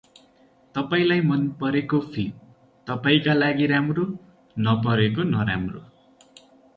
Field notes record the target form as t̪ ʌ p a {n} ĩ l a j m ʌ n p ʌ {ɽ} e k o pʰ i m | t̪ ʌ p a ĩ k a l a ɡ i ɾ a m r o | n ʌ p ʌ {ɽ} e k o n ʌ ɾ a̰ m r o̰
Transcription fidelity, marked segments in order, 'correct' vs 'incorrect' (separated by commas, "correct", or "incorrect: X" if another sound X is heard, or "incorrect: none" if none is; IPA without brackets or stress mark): incorrect: none, incorrect: ɾ, incorrect: ɾ